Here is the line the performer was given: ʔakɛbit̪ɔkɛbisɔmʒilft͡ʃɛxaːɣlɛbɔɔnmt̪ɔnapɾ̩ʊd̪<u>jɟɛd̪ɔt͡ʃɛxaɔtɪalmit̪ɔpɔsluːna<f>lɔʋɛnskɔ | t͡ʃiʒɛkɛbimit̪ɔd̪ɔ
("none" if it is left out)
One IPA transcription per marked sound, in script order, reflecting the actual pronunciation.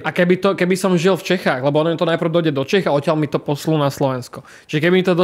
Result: ɔ, s

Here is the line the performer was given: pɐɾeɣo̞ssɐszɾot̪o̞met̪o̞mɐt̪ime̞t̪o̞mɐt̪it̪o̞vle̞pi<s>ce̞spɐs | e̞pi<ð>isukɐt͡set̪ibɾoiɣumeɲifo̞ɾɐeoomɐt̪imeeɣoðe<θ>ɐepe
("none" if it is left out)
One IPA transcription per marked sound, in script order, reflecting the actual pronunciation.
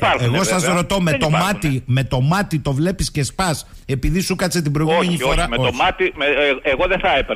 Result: s, ð, θ

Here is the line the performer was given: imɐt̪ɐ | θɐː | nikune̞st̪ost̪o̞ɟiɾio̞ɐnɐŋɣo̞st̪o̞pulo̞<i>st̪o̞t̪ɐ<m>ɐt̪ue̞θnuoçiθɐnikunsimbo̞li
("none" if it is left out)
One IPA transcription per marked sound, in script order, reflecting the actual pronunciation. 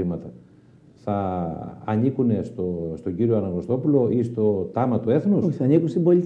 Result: i, m

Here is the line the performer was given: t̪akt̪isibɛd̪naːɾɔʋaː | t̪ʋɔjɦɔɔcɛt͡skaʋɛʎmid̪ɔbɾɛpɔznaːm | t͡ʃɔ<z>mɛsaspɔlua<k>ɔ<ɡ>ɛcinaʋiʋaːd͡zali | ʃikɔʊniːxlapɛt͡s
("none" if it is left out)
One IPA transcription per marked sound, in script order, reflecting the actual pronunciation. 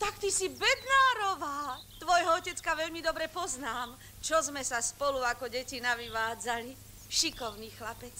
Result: z, k, ɟ

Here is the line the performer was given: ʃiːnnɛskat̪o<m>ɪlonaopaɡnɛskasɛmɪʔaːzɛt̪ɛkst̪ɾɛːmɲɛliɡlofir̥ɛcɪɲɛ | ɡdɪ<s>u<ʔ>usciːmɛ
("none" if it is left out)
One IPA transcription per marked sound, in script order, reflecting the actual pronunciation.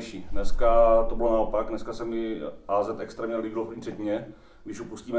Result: b, ʃ, p

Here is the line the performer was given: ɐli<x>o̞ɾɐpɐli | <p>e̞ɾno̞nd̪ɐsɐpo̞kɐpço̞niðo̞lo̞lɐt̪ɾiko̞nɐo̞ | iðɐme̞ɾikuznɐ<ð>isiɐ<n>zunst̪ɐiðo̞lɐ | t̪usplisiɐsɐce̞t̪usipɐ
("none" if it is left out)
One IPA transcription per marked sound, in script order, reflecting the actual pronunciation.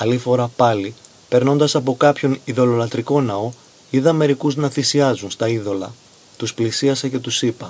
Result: f, p, θ, none

